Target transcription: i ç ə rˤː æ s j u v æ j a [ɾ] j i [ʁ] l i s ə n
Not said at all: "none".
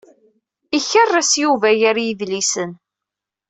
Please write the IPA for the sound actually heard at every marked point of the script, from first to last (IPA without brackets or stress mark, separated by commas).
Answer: ɾ, ð